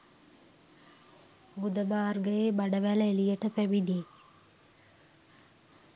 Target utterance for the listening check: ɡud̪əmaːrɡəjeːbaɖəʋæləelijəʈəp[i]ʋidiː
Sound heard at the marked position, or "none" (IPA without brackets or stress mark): æ